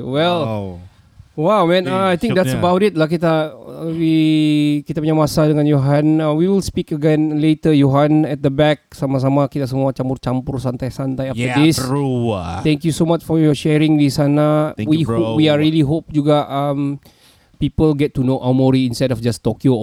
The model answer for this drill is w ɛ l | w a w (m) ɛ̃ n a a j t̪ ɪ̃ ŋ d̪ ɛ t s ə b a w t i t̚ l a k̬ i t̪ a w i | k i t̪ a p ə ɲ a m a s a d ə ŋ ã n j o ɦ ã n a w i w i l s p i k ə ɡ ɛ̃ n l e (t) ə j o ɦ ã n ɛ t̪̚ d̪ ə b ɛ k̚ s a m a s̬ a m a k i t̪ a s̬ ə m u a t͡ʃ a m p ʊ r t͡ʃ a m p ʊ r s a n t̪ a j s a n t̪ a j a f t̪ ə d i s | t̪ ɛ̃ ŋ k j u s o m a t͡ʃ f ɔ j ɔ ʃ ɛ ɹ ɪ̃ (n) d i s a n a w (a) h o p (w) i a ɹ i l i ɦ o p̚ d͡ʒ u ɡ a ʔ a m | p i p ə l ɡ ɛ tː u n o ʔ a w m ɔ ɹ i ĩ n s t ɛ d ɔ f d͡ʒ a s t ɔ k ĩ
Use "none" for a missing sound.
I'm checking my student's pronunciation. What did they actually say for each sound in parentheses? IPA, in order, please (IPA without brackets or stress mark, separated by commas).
m, t, ŋ, i, w